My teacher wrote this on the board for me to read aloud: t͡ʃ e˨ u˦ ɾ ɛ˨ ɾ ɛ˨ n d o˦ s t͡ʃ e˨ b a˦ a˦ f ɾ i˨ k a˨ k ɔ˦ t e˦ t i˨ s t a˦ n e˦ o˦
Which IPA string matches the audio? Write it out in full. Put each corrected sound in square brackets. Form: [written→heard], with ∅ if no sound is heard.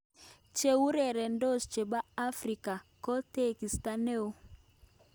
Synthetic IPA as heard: t͡ʃ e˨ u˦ ɾ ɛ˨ ɾ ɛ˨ n d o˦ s t͡ʃ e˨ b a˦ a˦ f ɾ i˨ k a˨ k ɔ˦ t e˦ [t→k] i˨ s t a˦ n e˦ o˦